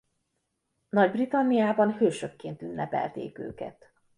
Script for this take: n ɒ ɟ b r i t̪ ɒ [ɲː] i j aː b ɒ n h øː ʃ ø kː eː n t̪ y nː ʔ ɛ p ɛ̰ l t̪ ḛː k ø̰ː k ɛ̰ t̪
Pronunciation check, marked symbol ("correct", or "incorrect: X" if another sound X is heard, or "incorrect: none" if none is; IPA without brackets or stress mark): incorrect: nː